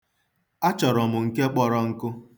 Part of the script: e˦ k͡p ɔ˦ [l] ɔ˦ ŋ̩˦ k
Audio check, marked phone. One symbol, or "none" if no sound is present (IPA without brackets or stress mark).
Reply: ɾ